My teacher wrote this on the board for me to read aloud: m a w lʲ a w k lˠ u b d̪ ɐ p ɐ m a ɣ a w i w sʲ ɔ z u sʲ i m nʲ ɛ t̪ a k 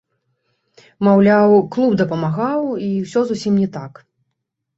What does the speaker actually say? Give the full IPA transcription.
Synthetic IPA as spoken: m a w lʲ a w k lˠ u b d̪ ɐ p ɐ m a ɣ a w i w sʲ ɔ z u sʲ i m nʲ ɛ t̪ a k